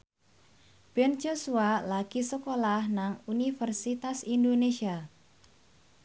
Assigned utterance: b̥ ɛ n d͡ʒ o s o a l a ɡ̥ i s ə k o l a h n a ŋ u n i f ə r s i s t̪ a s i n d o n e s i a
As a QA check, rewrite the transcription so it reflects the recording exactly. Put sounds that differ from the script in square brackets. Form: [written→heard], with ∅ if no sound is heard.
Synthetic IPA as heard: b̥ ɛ n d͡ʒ o s [o→u] a l a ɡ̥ i s ə k o l a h n a ŋ u n i f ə r s i [s→∅] t̪ a s i n d o n e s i a